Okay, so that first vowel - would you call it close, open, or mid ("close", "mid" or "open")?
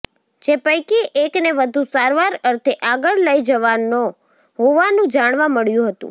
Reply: mid